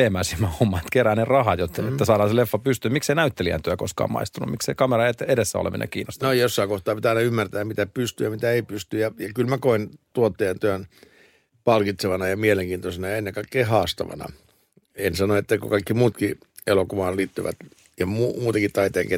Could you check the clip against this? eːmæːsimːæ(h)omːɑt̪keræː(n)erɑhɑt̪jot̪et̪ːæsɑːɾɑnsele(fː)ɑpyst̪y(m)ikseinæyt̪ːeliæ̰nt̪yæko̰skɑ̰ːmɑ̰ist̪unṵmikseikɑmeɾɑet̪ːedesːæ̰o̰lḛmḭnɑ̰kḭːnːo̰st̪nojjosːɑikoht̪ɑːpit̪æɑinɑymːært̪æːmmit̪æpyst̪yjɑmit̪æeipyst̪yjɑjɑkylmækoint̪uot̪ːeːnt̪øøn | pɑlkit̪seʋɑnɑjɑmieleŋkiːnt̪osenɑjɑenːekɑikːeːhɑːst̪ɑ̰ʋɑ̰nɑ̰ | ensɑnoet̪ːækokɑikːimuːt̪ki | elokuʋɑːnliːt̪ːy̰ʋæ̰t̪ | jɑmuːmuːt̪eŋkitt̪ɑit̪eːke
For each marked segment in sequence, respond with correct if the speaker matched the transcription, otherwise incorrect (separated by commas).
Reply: correct, correct, correct, correct